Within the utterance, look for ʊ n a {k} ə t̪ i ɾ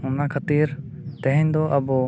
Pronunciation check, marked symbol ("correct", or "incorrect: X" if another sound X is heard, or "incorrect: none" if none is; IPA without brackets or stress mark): incorrect: kʰ